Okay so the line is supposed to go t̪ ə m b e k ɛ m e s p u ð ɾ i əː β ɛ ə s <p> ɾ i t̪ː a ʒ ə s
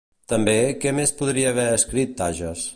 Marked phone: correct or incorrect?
incorrect